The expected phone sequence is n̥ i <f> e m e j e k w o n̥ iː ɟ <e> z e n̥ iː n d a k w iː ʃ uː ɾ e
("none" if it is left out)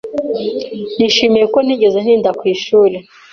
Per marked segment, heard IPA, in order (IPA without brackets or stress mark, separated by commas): ʃ, e